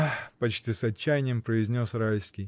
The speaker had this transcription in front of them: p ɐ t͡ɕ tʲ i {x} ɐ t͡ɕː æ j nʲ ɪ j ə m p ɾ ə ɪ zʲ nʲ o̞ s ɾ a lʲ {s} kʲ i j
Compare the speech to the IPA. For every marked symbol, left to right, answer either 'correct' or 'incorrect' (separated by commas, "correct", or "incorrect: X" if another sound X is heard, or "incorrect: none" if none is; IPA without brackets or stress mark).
incorrect: s, correct